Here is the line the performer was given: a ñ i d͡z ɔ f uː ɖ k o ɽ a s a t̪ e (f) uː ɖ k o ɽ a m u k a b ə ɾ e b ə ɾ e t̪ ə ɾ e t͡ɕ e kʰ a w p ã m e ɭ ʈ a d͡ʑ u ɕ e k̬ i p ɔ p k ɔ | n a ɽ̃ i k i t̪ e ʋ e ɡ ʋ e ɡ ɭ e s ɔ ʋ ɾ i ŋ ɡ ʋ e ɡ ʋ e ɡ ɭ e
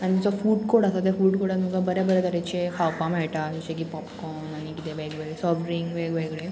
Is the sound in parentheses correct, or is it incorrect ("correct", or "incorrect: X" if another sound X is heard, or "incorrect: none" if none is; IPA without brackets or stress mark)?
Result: correct